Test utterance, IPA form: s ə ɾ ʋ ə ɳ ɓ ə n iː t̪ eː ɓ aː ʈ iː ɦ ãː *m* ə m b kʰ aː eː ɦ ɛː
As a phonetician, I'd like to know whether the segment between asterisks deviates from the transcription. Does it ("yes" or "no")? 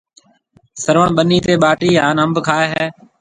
yes